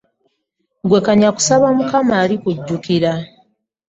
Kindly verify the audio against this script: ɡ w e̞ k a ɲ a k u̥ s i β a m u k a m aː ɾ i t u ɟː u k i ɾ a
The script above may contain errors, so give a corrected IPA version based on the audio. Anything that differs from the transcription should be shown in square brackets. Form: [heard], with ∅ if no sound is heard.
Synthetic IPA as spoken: ɡ w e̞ k a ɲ a k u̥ s [a] β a m u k a m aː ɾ i [k] u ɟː u k i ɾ a